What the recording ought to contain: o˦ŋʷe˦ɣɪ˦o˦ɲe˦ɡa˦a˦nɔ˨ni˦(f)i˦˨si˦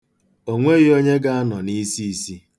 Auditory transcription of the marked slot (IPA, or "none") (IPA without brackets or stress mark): s